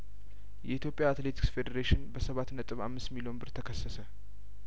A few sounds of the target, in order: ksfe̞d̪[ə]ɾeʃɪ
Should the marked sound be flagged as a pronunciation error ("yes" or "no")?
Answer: no